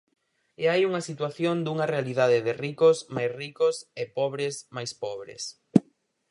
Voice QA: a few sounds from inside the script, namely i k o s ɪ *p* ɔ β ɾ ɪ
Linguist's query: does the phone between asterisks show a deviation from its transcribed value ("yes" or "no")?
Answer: no